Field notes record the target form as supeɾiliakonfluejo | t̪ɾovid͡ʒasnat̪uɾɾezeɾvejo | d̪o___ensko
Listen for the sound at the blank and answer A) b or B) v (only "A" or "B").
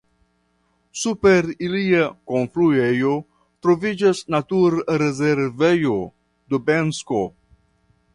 A